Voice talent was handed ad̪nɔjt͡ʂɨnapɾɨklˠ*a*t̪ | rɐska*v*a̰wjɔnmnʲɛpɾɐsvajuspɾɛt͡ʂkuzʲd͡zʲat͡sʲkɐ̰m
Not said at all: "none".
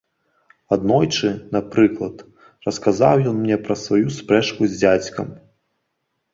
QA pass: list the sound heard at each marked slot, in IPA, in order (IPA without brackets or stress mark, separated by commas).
ɐ, z